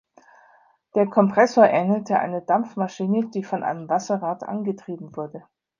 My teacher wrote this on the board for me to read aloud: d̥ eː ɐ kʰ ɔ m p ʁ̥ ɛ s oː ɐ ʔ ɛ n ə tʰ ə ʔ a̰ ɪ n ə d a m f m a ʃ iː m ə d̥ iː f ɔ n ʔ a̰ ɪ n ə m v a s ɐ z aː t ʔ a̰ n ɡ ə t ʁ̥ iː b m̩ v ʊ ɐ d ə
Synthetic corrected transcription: d̥ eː ɐ kʰ ɔ m p ʁ̥ ɛ s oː ɐ ʔ ɛ n ə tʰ ə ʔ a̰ ɪ n ə d a m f m a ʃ iː n ə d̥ iː f ɔ n ʔ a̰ ɪ n ə m v a s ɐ ʁ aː t ʔ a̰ n ɡ ə t ʁ̥ iː b m̩ v ʊ ɐ d ə